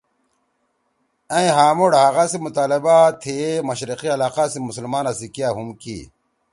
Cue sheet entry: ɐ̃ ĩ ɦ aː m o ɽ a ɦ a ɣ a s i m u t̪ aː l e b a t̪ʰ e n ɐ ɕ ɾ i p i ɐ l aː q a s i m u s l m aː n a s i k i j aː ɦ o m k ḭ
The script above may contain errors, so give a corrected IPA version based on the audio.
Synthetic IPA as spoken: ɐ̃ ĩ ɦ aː m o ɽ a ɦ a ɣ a s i m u t̪ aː l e b a t̪ʰ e m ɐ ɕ ɾ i q i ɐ l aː q a s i m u s l m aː n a s i k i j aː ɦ u m k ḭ

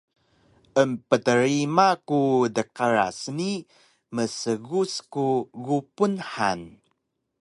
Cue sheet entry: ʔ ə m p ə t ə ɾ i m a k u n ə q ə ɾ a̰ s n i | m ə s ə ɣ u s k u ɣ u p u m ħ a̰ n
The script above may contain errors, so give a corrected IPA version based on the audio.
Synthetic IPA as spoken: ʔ ə m p ə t ə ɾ i m a k u d ə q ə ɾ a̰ s n i | m ə s ə ɣ u s k u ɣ u p u n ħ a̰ n

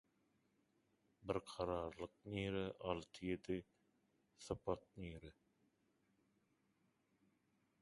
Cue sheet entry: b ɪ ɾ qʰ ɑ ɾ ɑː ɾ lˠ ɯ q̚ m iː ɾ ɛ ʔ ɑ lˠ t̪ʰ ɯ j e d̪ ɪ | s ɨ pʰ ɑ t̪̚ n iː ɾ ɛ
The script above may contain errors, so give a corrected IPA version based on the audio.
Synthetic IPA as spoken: b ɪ ɾ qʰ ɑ ɾ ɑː ɾ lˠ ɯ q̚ n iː ɾ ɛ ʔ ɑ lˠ t̪ʰ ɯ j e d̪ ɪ | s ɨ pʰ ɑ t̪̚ n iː ɾ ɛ

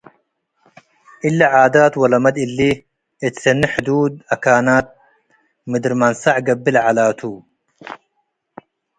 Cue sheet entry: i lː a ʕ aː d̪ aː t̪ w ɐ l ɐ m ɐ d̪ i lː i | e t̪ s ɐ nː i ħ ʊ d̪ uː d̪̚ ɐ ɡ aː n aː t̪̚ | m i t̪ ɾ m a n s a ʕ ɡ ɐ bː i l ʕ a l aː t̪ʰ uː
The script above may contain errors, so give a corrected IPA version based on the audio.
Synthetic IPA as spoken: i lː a ʕ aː d̪ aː t̪ w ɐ l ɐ m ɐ d̪ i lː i | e t̪ s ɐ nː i ħ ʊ d̪ uː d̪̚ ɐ k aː n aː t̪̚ | m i d̪ ɾ m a n s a ʕ ɡ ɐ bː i l ʕ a l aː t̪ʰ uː

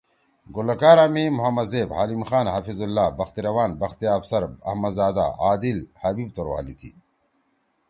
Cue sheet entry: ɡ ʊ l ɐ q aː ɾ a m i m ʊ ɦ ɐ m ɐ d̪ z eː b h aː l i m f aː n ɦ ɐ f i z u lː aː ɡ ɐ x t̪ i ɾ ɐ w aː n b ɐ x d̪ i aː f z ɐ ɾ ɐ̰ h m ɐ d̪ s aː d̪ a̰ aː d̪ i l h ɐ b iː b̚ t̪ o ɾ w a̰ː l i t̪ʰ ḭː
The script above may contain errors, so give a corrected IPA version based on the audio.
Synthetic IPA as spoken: ɡ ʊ l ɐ k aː ɾ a m i m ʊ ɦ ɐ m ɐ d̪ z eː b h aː l i m x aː n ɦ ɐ f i z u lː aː b ɐ x t̪ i ɾ ɐ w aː n b ɐ x t̪ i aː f s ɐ ɾ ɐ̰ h m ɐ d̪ z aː d̪ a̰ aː d̪ i l h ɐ b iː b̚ t̪ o ɾ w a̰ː l i t̪ʰ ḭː

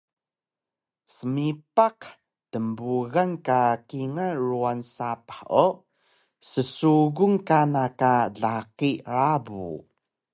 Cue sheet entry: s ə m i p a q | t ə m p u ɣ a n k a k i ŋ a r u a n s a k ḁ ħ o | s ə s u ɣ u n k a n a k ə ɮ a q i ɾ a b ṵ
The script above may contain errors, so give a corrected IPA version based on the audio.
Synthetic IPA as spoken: s ə m i p a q | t ə m b u ɣ a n k a k i ŋ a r u a n s a p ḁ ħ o | s ə s u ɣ u ŋ k a n a k a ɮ a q i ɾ a b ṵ

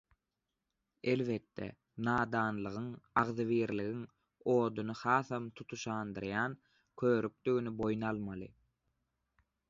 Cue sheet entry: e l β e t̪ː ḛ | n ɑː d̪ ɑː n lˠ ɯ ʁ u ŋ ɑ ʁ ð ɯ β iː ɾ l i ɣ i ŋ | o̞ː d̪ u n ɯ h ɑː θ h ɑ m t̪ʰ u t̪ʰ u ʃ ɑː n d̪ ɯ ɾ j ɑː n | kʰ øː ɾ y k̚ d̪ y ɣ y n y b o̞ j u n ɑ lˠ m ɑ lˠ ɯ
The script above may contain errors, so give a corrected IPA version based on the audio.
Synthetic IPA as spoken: e l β e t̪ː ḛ | n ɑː d̪ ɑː n lˠ ɯ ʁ ɯ ŋ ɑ ʁ ð ɯ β iː ɾ l i ɣ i ŋ | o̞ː d̪ u n ɯ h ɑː θ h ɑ m t̪ʰ u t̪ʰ u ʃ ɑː n d̪ ɯ ɾ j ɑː n | kʰ øː ɾ y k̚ d̪ y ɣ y n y b o̞ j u n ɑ lˠ m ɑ lˠ ɯ

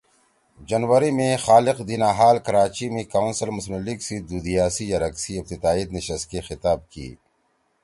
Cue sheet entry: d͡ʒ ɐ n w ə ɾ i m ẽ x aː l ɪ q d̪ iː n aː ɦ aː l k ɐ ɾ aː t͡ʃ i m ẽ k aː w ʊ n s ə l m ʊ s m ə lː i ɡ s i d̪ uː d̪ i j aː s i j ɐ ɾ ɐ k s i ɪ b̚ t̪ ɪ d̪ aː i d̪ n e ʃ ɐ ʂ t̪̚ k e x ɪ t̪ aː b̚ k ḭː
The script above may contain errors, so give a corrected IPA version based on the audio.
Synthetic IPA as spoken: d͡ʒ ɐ n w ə ɾ i m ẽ x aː l ɪ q d̪ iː n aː ɦ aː l k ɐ ɾ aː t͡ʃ i m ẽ k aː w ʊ n s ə l m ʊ s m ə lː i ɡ s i d̪ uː d̪ i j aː s i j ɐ ɾ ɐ k s i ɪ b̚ t̪ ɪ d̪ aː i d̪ n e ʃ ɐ s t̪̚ k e x ɪ t̪ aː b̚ k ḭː

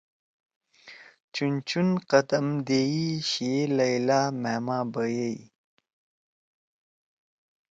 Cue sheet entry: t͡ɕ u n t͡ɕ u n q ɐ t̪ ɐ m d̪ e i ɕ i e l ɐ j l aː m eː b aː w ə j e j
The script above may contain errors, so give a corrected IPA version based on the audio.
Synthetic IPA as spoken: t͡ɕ u n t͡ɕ u n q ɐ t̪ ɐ m d̪ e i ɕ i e l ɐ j l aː m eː m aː b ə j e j

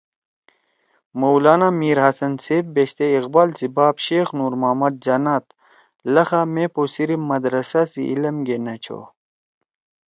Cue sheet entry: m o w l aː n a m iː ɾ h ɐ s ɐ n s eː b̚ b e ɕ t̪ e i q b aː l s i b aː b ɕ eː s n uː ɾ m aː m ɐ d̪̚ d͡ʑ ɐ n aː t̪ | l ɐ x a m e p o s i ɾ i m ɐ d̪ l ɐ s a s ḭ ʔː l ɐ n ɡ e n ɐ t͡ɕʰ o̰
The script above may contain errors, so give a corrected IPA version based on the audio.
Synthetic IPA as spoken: m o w l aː n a m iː ɾ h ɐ s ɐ n s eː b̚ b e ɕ t̪ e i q b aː l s i b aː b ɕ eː x n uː ɾ m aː m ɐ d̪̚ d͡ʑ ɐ n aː t̪ | l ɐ x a m e p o s i ɾ i m ɐ d̪ ɾ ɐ s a s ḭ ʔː l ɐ m ɡ e n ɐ t͡ɕʰ o̰

